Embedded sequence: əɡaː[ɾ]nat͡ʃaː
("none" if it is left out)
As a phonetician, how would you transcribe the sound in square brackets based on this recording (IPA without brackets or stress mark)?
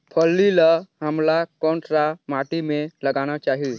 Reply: none